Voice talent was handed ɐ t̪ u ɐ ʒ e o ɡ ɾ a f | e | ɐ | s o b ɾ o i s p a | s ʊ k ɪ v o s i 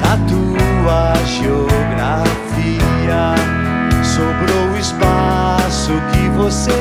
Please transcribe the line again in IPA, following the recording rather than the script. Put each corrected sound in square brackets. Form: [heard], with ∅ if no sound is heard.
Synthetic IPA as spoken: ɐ t̪ u ɐ ʒ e o ɡ ɾ a f | [i] | ɐ | s o b ɾ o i s p a | s ʊ k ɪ v o s [e]

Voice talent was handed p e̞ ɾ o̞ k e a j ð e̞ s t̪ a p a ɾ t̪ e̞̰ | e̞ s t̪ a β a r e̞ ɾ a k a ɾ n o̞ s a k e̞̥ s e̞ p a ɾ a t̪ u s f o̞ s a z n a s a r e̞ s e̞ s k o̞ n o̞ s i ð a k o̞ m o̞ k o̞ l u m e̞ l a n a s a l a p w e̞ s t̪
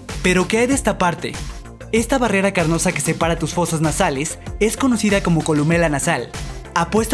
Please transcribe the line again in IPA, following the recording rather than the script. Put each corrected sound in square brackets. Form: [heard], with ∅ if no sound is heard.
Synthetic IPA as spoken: p e̞ ɾ o̞ k e a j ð e̞ s t̪ a p a ɾ t̪ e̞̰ | e̞ s t̪ a β a r e̞ ɾ a k a ɾ n o̞ s a k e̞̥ s e̞ p a ɾ a t̪ u s f o̞ s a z n a s a [l] e̞ s e̞ s k o̞ n o̞ s i ð a k o̞ m o̞ k o̞ l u m e̞ l a n a s a l a p w e̞ s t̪

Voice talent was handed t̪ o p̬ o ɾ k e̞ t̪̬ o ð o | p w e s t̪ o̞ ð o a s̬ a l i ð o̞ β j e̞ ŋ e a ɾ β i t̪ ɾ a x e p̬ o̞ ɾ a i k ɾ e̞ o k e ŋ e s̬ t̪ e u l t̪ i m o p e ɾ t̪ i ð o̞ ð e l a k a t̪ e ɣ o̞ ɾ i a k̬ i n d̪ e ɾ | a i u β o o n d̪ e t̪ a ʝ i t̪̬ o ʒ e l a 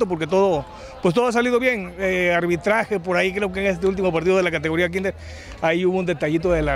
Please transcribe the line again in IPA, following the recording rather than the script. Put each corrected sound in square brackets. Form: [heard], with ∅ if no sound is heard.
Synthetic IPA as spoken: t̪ o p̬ o ɾ k e̞ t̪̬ o ð o | p w e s t̪ o̞ ð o a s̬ a l i ð o̞ β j e̞ ŋ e a ɾ β i t̪ ɾ a x e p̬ o̞ ɾ a i k ɾ e̞ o k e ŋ e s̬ t̪ e u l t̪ i m o p [a] ɾ t̪ i ð o̞ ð e l a k a t̪ e ɣ o̞ ɾ i a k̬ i n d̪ e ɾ | a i u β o [u] n d̪ e t̪ a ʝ i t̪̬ o [ð] e l a

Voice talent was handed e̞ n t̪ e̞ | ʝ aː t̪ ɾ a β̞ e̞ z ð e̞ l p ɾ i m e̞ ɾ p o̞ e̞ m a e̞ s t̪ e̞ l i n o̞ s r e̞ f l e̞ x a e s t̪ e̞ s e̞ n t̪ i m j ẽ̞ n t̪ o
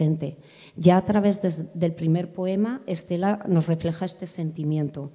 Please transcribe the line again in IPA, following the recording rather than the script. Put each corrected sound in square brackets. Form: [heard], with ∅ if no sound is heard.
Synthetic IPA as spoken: e̞ n t̪ e̞ | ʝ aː t̪ ɾ a β̞ e̞ z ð e̞ l p ɾ i m e̞ ɾ p o̞ e̞ m a e̞ s t̪ e̞ l [a] n o̞ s r e̞ f l e̞ x a e s t̪ e̞ s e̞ n t̪ i m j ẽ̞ n t̪ o

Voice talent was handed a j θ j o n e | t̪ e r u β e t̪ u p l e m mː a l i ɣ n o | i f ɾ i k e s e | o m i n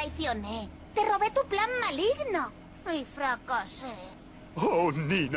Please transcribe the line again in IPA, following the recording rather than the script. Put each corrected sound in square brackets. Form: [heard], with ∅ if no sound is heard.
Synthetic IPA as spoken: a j θ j o n e | t̪ e r [o] β e t̪ u p l [a] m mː a l i ɣ n o | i f ɾ [a] k [a] s e | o [n] i n

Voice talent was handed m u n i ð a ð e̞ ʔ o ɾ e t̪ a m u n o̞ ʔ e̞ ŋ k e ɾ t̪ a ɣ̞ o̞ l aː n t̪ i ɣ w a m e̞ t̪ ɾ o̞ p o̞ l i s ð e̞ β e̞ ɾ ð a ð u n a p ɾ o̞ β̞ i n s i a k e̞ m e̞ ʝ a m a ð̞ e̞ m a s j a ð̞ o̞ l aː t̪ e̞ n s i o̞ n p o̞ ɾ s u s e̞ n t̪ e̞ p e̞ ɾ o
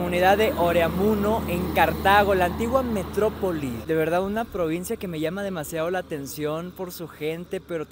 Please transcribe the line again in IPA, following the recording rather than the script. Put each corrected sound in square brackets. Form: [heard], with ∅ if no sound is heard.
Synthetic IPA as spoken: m u n i ð a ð e̞ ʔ o ɾ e [∅] a m u n o̞ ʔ e̞ ŋ k [a] ɾ t̪ a ɣ̞ o̞ l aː n t̪ i ɣ w a m e̞ t̪ ɾ o̞ p o̞ l i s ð e̞ β e̞ ɾ ð a ð u n a p ɾ o̞ β̞ i n s [j] a k e̞ m e̞ ʝ a m a ð̞ e̞ m a s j a ð̞ o̞ l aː t̪ e̞ n s [j] o̞ n p o̞ ɾ s u [x] e̞ n t̪ e̞ p e̞ ɾ o

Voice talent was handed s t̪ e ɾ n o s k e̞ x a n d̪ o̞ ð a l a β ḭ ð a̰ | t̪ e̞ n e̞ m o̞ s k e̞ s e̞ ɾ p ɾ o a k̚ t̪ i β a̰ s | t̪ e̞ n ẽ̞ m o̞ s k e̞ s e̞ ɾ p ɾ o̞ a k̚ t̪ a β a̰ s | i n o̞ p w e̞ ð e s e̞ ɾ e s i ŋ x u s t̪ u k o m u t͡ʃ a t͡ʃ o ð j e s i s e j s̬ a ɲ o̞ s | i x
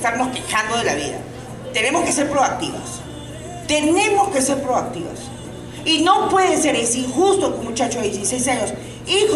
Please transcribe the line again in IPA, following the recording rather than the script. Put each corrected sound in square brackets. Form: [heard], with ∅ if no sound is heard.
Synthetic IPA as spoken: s t̪ [a] ɾ n o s k e̞ x a n d̪ o̞ ð [e] l a β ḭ ð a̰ | t̪ e̞ n e̞ m o̞ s k e̞ s e̞ ɾ p ɾ o a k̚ t̪ i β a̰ s | t̪ e̞ n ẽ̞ m o̞ s k e̞ s e̞ ɾ p ɾ o̞ a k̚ t̪ [i] β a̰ s | i n o̞ p w e̞ ð e s e̞ ɾ e s i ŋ x u s t̪ [o] k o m u t͡ʃ a t͡ʃ o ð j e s i s e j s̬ a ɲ o̞ s | i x

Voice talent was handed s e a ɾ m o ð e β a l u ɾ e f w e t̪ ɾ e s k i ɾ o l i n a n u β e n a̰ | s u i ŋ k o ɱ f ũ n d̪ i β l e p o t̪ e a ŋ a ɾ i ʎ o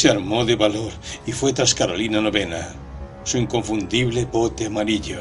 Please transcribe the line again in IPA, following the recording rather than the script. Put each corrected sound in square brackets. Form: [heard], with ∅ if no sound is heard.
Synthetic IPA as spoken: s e a ɾ m o ð e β a l [o] ɾ [i] f w e t̪ ɾ [a] s k [a] ɾ o l i n a n [o] β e n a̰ | s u i ŋ k o ɱ f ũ n d̪ i β l e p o t̪ e a [m] a ɾ i ʎ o

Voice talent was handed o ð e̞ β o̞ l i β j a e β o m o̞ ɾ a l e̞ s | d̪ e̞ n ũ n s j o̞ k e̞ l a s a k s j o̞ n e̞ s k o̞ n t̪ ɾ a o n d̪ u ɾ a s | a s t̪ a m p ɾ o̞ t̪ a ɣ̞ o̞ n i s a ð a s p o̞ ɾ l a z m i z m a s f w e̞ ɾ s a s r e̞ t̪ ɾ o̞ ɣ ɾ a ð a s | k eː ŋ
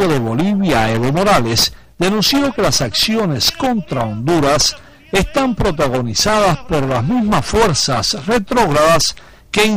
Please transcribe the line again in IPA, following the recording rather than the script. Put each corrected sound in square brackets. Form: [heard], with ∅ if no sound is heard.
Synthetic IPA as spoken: o ð e̞ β o̞ l i β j a e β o m o̞ ɾ a l e̞ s | d̪ e̞ n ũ n s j o̞ k e̞ l a s a k s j o̞ n e̞ s k o̞ n t̪ ɾ a o n d̪ u ɾ a s | [e] s t̪ a m p ɾ o̞ t̪ a ɣ̞ o̞ n i s a ð a s p o̞ ɾ l a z m i z m a s f w e̞ ɾ s a s r e̞ t̪ ɾ o̞ ɣ ɾ a ð a s | k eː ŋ

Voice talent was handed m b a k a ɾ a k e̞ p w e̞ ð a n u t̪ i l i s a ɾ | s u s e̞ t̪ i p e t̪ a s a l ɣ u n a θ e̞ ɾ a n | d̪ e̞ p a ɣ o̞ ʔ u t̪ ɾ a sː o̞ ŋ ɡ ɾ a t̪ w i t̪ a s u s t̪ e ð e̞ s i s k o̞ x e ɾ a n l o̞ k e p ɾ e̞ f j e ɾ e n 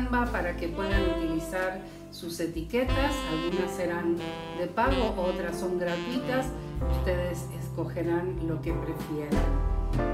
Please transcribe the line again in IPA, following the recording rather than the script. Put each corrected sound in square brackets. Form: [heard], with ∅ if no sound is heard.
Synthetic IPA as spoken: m b a [p] a ɾ a k e̞ p w e̞ ð a n u t̪ i l i s a ɾ | s u s e̞ t̪ i [k] e t̪ a s a l ɣ u n a [s] e̞ ɾ a n | d̪ e̞ p a ɣ o̞ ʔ [o] t̪ ɾ a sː o̞ ŋ ɡ ɾ a t̪ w i t̪ a s u s t̪ e ð e̞ s [e] s k o̞ x e ɾ a n l o̞ k e p ɾ e̞ f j e ɾ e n

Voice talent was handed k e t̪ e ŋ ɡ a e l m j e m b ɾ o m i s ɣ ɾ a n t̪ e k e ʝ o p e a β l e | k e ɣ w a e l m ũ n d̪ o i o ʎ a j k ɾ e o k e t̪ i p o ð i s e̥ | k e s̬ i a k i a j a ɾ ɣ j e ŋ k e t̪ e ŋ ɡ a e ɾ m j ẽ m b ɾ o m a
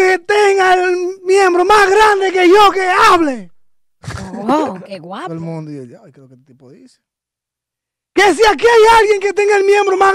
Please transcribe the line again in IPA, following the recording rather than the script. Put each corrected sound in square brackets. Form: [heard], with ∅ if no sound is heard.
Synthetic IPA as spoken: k e t̪ e ŋ ɡ a e l m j e m b ɾ o m [a] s ɣ ɾ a n [d̪] e k e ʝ o [k] e a β l e | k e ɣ w a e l m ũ n d̪ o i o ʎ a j k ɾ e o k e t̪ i p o ð i s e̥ | k e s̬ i a k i a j a [l] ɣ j e ŋ k e t̪ e ŋ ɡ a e [l] m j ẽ m b ɾ o m a

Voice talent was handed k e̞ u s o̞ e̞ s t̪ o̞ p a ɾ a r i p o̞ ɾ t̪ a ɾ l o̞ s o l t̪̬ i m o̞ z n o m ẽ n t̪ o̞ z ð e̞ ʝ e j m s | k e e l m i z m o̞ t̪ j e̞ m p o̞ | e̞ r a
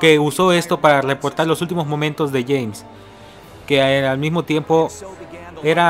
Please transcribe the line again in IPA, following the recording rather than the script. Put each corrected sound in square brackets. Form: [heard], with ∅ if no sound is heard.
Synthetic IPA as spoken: k e̞ u s o̞ e̞ s t̪ o̞ p a ɾ a r [e] p o̞ ɾ t̪ a ɾ l o̞ s [u] l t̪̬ i m o̞ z [m] o m ẽ n t̪ o̞ z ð e̞ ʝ e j m s | k e [a] l m i z m o̞ t̪ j e̞ m p o̞ | e̞ [ɾ] a

